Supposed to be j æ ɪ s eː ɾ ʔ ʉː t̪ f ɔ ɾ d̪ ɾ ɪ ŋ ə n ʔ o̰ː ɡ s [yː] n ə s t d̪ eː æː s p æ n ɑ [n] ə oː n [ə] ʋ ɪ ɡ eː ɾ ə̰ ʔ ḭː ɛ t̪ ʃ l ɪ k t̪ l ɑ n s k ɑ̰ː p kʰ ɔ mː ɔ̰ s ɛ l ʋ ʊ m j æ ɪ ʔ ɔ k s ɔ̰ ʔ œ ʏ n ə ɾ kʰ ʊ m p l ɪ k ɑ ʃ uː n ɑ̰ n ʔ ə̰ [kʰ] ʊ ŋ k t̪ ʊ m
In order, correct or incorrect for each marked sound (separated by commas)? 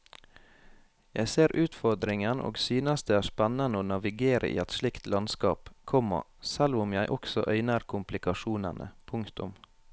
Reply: correct, correct, incorrect, incorrect